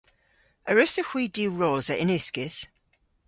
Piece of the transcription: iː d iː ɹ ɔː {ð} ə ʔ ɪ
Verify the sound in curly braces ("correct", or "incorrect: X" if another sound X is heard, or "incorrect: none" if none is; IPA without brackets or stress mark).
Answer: incorrect: z